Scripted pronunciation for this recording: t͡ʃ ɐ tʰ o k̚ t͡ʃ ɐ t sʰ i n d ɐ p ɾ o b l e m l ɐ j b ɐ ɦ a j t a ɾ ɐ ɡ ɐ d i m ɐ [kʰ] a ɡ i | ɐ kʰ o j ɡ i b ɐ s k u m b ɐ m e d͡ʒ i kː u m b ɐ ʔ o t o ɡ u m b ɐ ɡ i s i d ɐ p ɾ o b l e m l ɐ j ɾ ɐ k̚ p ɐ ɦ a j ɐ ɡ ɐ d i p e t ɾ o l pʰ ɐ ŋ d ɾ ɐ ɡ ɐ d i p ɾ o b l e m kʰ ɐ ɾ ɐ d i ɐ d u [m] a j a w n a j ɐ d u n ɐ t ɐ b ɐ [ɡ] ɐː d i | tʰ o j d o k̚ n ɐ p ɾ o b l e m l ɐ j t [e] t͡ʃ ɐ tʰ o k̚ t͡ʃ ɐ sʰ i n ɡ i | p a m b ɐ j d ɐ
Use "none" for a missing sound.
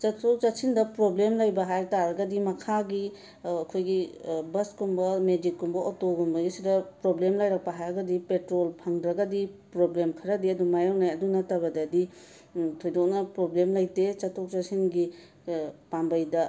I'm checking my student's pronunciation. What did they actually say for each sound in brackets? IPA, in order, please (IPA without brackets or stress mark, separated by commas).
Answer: kʰ, m, d, e